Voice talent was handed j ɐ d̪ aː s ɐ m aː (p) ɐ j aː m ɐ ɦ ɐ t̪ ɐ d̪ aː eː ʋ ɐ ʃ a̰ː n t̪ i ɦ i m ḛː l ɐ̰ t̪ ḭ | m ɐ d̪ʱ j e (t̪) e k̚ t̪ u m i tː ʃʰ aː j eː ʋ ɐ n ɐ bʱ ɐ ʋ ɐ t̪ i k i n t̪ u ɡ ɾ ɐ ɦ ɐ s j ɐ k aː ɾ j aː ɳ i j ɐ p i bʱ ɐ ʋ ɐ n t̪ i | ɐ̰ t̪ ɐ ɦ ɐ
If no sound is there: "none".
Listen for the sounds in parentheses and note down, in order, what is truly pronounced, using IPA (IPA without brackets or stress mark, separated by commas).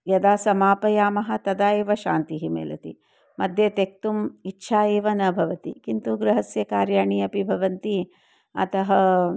p, t̪